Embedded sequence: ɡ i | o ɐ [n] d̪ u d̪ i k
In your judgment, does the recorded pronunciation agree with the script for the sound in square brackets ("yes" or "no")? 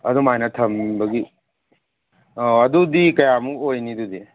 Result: no